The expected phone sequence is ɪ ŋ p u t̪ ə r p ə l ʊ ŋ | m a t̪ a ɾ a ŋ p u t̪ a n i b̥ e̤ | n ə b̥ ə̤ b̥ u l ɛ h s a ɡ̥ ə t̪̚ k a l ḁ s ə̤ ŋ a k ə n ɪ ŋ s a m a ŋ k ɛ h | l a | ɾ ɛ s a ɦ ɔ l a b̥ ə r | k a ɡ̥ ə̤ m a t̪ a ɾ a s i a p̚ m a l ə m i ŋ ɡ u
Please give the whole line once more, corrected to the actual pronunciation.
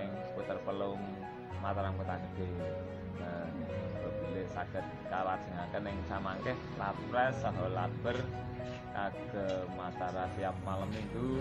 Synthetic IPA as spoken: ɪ ŋ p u t̪ ə r p ə l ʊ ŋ | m a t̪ a ɾ a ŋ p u t̪ a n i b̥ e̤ | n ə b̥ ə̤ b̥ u l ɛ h s a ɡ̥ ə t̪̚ k a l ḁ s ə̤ ŋ a k ə n ɪ ŋ s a m a ŋ k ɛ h | l a | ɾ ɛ s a ɦ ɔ l a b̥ ə r | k a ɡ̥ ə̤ m a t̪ a ɾ a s i a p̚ m a l ə m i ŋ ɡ u